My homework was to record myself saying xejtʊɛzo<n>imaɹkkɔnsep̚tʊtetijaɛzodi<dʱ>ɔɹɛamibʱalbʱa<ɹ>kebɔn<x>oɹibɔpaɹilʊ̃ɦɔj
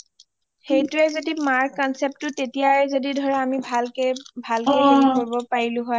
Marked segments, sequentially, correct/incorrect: incorrect, correct, incorrect, incorrect

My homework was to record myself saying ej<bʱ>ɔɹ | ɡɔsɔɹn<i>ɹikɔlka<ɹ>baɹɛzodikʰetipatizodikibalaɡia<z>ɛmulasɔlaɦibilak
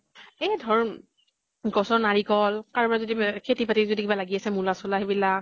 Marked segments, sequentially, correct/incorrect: incorrect, incorrect, correct, incorrect

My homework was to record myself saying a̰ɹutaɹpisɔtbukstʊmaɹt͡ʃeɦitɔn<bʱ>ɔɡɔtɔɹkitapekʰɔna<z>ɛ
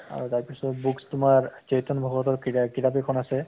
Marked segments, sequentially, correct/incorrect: correct, incorrect

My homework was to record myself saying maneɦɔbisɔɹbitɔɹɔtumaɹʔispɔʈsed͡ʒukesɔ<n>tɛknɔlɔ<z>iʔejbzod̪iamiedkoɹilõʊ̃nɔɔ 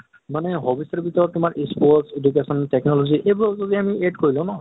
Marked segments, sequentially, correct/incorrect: correct, correct

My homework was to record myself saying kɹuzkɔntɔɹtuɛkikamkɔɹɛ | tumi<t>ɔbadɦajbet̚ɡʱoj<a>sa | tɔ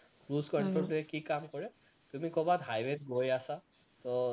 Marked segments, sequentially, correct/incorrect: incorrect, correct

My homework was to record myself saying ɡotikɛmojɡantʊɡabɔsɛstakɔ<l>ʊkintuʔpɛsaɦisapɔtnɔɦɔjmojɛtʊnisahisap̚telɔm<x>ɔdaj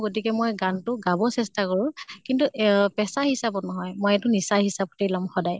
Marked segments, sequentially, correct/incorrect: incorrect, correct

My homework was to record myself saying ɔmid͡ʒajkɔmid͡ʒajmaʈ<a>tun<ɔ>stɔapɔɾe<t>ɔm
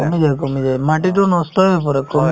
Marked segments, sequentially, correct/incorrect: incorrect, correct, incorrect

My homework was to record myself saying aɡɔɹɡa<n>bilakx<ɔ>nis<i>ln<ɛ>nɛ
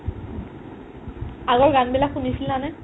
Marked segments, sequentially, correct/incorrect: correct, incorrect, correct, incorrect

